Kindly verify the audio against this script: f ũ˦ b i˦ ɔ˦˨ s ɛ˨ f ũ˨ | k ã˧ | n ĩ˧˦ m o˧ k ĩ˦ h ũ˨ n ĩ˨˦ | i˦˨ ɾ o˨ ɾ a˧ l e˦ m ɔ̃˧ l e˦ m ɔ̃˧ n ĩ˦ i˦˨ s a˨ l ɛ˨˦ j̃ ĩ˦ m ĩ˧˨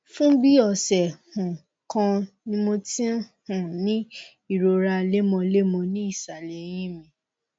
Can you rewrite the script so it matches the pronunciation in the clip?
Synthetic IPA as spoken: f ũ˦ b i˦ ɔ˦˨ s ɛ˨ h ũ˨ | k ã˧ | n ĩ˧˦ m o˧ t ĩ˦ h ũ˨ n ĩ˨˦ | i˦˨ ɾ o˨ ɾ a˧ l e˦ m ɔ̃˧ l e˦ m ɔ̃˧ n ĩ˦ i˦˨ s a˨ l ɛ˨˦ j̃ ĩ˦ m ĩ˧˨